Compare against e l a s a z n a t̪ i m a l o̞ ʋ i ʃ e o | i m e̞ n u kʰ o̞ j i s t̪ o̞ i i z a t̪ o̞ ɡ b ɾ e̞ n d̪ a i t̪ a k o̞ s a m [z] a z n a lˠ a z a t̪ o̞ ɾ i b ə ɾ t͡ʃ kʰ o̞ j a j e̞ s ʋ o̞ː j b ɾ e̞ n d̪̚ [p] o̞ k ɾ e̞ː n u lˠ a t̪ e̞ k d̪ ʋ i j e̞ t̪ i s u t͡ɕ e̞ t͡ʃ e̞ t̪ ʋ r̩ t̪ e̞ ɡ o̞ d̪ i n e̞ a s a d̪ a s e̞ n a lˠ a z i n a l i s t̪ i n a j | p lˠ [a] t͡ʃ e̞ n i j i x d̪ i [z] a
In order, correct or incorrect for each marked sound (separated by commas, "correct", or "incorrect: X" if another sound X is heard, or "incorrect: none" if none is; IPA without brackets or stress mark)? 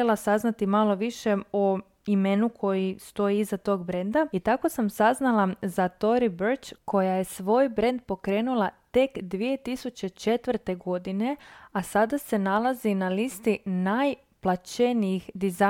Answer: incorrect: s, correct, correct, correct